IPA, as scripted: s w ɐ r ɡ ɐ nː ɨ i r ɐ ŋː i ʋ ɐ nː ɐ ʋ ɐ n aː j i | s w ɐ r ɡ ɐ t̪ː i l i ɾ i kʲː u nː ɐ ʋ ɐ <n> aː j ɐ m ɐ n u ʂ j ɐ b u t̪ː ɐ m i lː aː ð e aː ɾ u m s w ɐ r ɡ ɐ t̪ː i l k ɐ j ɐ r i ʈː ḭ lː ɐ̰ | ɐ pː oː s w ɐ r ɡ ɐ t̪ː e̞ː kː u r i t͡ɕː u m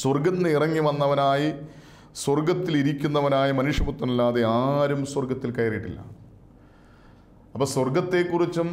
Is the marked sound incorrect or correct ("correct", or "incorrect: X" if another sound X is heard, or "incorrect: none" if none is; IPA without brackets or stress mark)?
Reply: correct